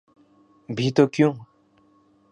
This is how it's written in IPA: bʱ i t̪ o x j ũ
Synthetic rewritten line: bʱ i t̪ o k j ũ

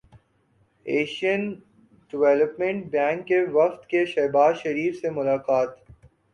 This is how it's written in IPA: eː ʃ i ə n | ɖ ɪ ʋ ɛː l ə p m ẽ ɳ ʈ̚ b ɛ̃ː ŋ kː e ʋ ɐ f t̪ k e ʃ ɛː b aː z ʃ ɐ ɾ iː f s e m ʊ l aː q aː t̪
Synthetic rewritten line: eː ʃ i ə n | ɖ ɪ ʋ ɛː l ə p m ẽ ɳ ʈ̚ b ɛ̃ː ŋ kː e ʋ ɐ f t̪ k e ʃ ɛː b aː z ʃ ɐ ɾ iː f s e m ʊ l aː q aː t̪

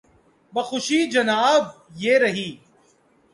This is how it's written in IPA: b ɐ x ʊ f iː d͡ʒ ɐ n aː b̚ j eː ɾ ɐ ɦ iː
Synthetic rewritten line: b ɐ x ʊ ʃ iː d͡ʒ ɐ n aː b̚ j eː ɾ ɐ ɦ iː

